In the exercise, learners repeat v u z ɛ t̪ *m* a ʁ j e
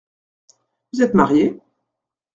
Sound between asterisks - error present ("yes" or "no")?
no